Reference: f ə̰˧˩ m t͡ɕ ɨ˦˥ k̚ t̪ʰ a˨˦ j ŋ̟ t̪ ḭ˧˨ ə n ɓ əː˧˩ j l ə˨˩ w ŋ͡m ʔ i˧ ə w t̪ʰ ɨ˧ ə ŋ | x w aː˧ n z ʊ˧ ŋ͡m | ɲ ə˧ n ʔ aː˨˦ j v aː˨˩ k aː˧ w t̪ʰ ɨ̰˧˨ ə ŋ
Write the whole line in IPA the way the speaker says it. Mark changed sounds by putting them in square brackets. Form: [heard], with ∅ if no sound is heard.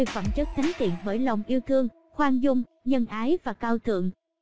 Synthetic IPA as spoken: f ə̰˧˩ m t͡ɕ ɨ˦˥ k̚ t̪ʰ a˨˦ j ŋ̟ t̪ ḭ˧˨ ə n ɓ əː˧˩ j l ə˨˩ w ŋ͡m ʔ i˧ ə w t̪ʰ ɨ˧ ə ŋ | x w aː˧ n z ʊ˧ ŋ͡m | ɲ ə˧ n ʔ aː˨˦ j v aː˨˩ k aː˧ w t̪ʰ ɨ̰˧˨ ə ŋ